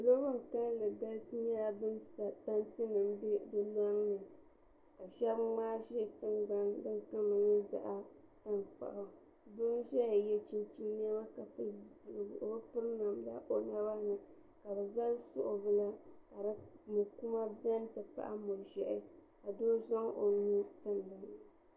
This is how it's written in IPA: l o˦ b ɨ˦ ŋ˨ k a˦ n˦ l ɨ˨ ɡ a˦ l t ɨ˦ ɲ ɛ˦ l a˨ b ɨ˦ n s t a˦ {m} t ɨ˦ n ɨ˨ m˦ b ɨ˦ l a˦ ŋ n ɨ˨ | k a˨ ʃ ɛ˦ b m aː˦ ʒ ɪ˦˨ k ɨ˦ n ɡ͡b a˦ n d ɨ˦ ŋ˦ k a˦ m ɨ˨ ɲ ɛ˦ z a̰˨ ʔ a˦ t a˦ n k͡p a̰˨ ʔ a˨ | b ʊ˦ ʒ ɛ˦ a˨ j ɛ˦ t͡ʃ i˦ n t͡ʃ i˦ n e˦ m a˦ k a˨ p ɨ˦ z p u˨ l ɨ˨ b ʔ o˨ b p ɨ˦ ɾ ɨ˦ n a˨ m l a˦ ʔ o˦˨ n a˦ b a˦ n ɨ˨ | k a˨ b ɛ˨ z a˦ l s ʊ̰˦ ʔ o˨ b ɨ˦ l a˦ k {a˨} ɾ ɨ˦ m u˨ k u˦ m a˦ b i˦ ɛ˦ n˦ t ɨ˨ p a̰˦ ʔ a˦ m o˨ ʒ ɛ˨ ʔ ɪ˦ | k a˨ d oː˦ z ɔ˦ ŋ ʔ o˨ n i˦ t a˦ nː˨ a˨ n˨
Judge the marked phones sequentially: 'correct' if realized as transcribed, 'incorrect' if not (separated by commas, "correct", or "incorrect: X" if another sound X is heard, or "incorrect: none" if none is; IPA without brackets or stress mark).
incorrect: n, correct